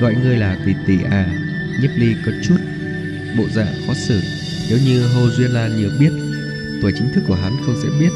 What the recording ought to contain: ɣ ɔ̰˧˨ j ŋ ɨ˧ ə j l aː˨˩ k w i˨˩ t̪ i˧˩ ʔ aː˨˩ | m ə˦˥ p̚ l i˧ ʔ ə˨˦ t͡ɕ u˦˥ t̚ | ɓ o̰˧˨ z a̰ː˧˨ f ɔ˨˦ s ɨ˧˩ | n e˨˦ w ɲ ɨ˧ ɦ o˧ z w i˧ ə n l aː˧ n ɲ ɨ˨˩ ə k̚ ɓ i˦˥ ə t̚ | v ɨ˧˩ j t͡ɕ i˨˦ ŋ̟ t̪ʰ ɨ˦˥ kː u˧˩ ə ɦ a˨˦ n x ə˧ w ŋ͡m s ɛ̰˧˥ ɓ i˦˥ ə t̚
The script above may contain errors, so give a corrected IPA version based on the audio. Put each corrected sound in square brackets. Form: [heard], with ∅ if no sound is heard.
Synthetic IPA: ɣ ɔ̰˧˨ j ŋ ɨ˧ ə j l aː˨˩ k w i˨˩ t̪ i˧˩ ʔ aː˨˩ | [ɲ] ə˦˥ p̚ l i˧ [k] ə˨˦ t͡ɕ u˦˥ t̚ | ɓ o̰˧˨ z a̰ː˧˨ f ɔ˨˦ s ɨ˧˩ | n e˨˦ w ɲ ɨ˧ ɦ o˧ z w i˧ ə n l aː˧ n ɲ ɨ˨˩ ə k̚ ɓ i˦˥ ə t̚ | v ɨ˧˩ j t͡ɕ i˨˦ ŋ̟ t̪ʰ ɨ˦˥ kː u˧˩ ə ɦ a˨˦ n x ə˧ w ŋ͡m s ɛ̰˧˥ ɓ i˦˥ ə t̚